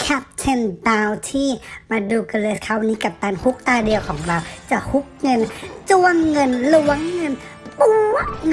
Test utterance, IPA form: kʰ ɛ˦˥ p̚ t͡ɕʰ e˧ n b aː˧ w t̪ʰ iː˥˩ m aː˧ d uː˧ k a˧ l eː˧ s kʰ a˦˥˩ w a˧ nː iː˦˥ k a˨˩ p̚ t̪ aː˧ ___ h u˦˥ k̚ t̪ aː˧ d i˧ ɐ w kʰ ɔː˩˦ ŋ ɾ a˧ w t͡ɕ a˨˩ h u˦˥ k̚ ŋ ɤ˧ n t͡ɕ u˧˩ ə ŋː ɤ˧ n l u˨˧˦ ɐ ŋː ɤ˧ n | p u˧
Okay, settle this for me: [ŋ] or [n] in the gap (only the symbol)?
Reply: n